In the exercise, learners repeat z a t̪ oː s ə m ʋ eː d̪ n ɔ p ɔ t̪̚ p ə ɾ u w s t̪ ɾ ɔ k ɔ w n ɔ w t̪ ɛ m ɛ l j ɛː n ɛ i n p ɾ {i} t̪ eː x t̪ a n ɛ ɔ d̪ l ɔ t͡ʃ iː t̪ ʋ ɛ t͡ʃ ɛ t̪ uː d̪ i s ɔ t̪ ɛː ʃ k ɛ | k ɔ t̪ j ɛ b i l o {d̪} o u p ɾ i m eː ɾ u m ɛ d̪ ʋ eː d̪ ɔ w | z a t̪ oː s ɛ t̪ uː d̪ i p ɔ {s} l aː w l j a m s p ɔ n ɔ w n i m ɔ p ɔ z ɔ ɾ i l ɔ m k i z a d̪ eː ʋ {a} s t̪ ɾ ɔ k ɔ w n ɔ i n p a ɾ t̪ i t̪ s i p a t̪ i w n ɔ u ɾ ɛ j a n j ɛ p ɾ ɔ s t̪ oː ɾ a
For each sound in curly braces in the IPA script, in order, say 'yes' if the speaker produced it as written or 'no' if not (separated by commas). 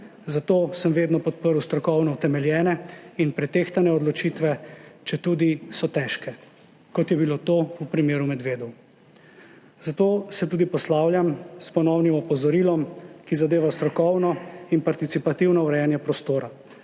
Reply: no, no, yes, yes